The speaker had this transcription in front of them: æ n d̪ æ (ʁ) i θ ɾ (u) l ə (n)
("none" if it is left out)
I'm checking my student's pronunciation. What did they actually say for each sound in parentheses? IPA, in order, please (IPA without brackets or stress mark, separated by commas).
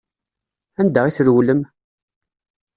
ʁ, w, m